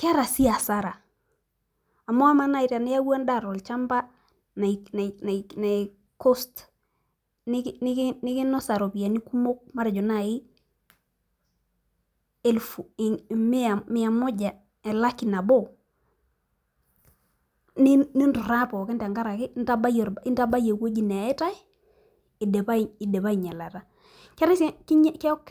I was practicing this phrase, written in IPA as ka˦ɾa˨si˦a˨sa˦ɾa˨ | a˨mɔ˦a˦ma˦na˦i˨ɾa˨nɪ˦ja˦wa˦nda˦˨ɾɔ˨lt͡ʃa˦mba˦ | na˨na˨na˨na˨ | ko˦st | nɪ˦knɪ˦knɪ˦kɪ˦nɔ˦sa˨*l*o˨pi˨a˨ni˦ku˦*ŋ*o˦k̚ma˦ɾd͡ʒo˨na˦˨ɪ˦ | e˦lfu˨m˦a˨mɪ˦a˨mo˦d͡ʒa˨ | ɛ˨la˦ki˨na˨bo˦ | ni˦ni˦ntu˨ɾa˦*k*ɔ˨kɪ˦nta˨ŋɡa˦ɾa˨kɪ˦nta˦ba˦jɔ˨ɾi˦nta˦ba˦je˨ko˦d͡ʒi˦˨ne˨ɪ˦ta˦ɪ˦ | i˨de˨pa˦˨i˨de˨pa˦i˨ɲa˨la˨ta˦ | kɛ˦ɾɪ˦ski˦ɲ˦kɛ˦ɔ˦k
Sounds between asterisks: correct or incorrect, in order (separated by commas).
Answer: incorrect, incorrect, incorrect